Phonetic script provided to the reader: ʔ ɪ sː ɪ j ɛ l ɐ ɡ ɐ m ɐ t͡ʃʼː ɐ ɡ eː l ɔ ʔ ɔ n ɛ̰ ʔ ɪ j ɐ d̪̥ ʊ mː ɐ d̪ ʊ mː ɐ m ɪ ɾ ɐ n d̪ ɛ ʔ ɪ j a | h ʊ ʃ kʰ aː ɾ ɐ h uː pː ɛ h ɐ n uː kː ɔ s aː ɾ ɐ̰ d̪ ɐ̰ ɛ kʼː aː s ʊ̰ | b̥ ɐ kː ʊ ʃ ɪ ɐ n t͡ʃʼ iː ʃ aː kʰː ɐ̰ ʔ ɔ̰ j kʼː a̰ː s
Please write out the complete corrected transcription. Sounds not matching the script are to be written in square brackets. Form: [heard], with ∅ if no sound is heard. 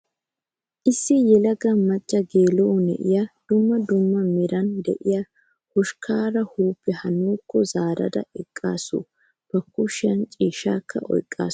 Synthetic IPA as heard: ʔ ɪ sː ɪ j ɛ l ɐ ɡ ɐ m ɐ t͡ʃʼː ɐ ɡ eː l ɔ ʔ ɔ n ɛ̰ ʔ ɪ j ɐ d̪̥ ʊ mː ɐ d̪ ʊ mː ɐ m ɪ ɾ ɐ n d̪ ɛ ʔ ɪ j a | h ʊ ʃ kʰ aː ɾ ɐ h uː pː ɛ h ɐ n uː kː ɔ [z] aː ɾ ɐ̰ d̪ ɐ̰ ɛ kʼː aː s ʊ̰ | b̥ ɐ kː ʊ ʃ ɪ ɐ n t͡ʃʼ iː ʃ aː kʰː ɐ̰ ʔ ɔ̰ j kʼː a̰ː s

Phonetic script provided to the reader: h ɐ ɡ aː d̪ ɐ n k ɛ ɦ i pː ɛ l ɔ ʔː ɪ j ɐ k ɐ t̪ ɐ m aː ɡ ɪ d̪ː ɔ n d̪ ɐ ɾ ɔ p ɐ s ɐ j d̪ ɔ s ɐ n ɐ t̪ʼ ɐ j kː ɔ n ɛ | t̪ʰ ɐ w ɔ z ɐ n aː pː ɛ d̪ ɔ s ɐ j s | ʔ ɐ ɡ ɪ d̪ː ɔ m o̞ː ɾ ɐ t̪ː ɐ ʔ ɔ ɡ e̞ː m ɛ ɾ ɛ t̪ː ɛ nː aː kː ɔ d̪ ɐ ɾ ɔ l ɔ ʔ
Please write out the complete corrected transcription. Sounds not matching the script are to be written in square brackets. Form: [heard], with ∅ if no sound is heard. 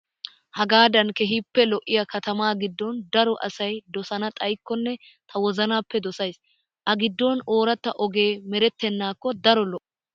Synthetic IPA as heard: h ɐ ɡ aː d̪ ɐ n k ɛ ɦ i pː ɛ l ɔ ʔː ɪ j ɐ k ɐ t̪ ɐ m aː ɡ ɪ d̪ː ɔ n d̪ ɐ ɾ ɔ [ʔ] ɐ s ɐ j d̪ ɔ s ɐ n ɐ t̪ʼ ɐ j kː ɔ [nː] ɛ | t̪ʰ ɐ w ɔ z ɐ n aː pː ɛ d̪ ɔ s ɐ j s | ʔ ɐ ɡ ɪ d̪ː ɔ [n] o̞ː ɾ ɐ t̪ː ɐ ʔ ɔ ɡ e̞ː m ɛ ɾ ɛ t̪ː ɛ nː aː kː ɔ d̪ ɐ ɾ ɔ l ɔ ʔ

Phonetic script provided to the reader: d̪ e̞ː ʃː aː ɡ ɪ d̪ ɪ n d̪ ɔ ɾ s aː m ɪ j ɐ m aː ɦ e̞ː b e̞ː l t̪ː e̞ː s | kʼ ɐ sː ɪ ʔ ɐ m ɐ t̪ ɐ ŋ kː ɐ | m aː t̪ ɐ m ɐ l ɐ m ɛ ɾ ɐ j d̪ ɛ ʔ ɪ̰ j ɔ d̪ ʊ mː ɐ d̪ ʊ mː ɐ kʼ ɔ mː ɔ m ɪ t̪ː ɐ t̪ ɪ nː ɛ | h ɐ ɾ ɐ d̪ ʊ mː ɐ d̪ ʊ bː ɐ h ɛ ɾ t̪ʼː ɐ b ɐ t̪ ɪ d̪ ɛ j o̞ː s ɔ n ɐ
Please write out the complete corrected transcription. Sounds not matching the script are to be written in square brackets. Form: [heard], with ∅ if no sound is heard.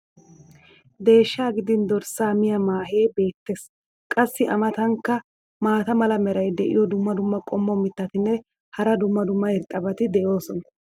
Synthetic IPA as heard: d̪ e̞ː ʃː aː ɡ ɪ d̪ ɪ n d̪ ɔ ɾ s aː m ɪ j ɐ m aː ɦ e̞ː b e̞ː [∅] t̪ː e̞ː s | kʼ ɐ sː ɪ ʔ ɐ m ɐ t̪ ɐ ŋ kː ɐ | m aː t̪ ɐ m ɐ l ɐ m ɛ ɾ ɐ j d̪ ɛ ʔ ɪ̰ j ɔ d̪ ʊ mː ɐ d̪ ʊ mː ɐ kʼ ɔ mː ɔ m ɪ t̪ː ɐ t̪ ɪ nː ɛ | h ɐ ɾ ɐ d̪ ʊ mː ɐ d̪ ʊ [mː] ɐ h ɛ ɾ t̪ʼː ɐ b ɐ t̪ ɪ d̪ ɛ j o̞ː s ɔ n ɐ

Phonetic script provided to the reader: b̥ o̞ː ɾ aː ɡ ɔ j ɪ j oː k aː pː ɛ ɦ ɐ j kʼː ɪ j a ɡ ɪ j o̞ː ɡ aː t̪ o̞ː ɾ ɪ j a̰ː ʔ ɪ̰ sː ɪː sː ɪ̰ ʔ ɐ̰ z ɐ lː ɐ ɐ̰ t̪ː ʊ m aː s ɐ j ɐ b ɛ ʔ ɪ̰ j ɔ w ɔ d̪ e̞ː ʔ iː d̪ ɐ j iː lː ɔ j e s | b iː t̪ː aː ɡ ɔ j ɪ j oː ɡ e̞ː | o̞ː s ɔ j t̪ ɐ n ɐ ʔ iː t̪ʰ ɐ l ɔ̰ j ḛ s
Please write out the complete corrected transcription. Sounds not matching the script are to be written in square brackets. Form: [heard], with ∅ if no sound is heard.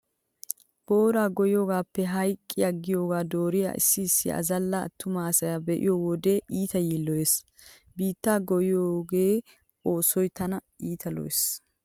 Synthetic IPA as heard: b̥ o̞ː ɾ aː ɡ ɔ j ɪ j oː [ɡ] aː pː ɛ ɦ ɐ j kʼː ɪ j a ɡ ɪ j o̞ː ɡ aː [d̪] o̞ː ɾ ɪ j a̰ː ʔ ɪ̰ sː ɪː sː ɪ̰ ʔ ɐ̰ z ɐ lː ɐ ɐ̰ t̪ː ʊ m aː s ɐ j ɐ b ɛ ʔ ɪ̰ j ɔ w ɔ d̪ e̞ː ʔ iː [t̪] ɐ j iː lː ɔ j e s | b iː t̪ː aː ɡ ɔ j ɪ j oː ɡ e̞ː | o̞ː s ɔ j t̪ ɐ n ɐ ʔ iː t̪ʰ ɐ l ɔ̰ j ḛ s

